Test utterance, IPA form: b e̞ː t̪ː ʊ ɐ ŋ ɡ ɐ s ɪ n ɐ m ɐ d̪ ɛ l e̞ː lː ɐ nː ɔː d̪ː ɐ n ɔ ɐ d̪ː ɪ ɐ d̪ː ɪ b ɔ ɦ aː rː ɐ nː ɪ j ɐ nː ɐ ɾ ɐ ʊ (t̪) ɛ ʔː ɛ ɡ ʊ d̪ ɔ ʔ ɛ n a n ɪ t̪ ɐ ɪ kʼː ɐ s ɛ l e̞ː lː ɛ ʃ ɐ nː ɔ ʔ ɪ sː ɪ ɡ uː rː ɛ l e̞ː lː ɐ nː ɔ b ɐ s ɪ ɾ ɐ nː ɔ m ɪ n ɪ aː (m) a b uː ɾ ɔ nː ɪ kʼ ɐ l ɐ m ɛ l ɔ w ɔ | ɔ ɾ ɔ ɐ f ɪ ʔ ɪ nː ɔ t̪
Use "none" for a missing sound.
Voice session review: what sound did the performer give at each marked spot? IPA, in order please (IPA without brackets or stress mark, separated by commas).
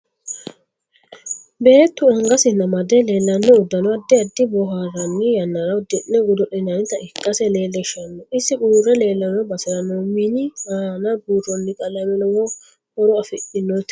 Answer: d̪, n